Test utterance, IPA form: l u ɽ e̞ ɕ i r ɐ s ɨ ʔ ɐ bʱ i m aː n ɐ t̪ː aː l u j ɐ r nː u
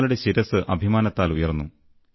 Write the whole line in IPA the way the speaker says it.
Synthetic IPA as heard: l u ɽ e̞ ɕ i ɾ ɐ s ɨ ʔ ɐ bʱ i m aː n ɐ t̪ː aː l u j ɐ r nː u